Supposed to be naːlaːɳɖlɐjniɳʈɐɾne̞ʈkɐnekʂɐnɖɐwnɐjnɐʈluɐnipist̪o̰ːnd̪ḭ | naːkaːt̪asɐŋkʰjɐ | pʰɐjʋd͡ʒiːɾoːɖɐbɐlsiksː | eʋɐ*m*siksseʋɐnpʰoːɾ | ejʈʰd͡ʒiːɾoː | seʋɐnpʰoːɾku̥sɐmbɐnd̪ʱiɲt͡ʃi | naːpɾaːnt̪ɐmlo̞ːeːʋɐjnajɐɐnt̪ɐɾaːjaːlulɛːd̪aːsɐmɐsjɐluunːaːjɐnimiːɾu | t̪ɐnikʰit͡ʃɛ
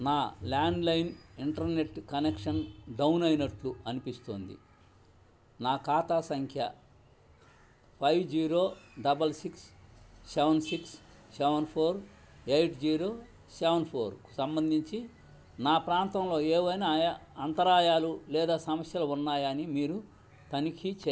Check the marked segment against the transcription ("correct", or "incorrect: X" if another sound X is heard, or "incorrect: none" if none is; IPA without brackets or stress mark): incorrect: n